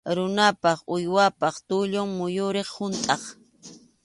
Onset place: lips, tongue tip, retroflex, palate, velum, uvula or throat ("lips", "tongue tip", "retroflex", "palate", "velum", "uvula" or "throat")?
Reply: tongue tip